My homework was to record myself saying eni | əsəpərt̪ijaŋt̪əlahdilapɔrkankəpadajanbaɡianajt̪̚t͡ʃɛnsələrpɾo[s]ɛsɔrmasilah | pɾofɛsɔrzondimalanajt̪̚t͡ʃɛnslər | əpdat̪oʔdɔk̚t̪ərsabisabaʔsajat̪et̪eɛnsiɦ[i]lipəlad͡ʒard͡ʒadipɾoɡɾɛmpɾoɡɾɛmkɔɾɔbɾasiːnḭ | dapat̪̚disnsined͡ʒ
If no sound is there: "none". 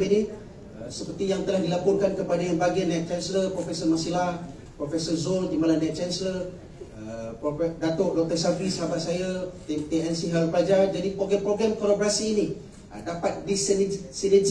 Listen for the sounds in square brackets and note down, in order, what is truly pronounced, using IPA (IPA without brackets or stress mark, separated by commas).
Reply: f, a